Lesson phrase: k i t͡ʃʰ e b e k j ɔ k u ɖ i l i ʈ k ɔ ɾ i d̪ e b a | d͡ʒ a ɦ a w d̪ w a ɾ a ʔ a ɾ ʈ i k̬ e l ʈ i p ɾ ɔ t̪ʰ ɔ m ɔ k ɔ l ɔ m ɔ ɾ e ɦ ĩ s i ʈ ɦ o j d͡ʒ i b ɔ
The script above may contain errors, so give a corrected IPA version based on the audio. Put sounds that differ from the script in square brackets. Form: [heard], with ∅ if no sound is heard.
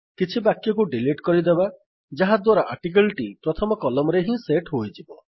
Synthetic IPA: k i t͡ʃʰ [i] b [a] k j ɔ k u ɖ i l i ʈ k ɔ ɾ i d̪ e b a | d͡ʒ a ɦ a [∅] d̪ w a ɾ a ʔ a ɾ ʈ i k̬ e l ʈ i p ɾ ɔ t̪ʰ ɔ m ɔ k ɔ l ɔ m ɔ ɾ e ɦ ĩ s [e] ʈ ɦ o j d͡ʒ i b ɔ